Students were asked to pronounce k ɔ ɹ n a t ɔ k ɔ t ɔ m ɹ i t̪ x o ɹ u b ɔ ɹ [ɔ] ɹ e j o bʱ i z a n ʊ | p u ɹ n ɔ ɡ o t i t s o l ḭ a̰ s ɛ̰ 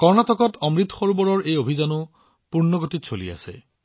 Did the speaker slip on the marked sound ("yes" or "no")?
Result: no